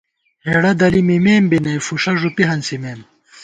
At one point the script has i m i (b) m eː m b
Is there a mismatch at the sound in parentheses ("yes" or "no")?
yes